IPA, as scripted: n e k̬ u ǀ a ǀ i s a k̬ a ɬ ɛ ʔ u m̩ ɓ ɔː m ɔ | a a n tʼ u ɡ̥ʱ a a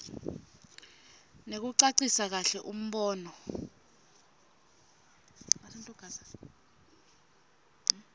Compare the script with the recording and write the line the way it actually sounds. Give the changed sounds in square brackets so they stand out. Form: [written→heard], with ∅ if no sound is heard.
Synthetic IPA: n e k̬ u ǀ a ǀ i s a k̬ a ɬ ɛ ʔ u m̩ ɓ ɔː [m→n] ɔ | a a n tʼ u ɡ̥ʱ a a